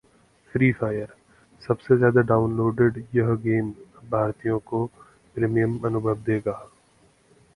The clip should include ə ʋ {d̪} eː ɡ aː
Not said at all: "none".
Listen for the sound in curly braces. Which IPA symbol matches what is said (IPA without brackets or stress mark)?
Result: d̪